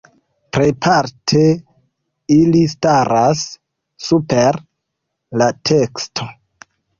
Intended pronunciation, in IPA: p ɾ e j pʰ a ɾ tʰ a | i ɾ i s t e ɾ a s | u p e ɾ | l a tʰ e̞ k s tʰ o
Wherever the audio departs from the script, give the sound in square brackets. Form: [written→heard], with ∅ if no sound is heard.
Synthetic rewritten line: p ɾ e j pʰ a ɾ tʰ [a→e] | i [ɾ→l] i s t [e→a] ɾ a [s→sː] | u p e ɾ | l a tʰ e̞ k s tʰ o